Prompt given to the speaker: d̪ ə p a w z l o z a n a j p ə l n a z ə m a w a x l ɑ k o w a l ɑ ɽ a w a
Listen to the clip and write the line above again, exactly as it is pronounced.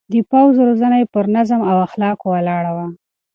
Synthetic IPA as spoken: d̪ ə p a w z ɾ o z a n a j p ə ɾ n a z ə m a w a x l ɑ k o w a l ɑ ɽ a w a